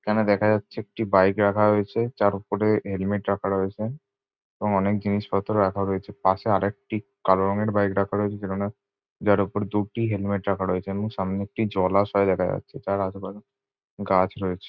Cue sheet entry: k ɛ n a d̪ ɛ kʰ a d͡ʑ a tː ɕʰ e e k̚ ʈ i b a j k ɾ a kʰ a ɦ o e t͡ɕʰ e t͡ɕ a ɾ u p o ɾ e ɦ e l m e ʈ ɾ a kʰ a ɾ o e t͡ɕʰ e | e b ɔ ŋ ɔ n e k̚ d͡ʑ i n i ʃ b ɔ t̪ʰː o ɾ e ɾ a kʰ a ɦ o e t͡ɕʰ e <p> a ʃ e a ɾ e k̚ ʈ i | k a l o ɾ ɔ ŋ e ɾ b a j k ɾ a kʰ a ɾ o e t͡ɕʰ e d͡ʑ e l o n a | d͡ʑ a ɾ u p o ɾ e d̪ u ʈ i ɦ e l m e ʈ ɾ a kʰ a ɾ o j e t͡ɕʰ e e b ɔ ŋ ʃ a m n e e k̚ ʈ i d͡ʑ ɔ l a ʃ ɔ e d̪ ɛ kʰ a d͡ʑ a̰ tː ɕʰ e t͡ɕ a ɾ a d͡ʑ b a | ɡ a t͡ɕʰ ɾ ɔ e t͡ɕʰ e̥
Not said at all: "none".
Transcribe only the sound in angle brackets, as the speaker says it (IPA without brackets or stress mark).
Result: p